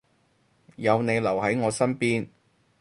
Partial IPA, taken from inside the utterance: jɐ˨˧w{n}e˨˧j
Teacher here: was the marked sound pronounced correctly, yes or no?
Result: yes